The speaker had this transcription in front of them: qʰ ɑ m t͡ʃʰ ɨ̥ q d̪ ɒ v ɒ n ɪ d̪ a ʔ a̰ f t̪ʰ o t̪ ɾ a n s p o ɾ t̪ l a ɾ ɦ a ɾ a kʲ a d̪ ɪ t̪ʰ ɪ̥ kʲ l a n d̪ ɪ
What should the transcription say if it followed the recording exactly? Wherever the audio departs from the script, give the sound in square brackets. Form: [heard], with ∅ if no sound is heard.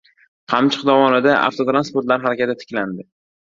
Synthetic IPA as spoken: qʰ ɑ m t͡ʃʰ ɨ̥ q d̪ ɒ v ɒ n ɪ d̪ a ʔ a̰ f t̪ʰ o t̪ ɾ a n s p o ɾ t̪ l a ɾ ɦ a ɾ a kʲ a [t̪] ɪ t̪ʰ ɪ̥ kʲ l a n d̪ ɪ